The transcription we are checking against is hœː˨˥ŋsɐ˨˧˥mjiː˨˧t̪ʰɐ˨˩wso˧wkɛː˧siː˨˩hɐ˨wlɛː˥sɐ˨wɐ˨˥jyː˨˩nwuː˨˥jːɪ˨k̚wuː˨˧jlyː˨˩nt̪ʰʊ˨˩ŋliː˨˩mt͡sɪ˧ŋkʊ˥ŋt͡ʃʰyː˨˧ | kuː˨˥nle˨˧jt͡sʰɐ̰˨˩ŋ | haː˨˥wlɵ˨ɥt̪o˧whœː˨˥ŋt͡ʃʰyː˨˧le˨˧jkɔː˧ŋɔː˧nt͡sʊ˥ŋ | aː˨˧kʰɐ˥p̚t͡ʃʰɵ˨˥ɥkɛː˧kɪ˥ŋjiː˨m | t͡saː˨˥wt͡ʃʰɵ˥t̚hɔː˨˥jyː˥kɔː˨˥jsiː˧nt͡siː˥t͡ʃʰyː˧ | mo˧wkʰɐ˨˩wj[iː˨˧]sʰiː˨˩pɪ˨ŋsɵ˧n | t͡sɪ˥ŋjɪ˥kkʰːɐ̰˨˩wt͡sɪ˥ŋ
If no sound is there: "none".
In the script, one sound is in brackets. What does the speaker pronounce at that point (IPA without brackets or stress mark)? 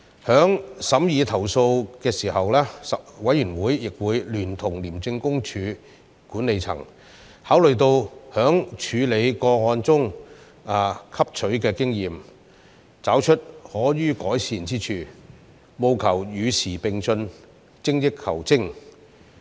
yː˨˧